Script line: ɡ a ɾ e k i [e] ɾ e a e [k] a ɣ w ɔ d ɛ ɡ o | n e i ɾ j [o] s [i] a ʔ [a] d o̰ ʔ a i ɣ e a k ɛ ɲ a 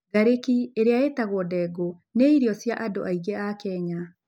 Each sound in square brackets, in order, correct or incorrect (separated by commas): correct, incorrect, incorrect, incorrect, correct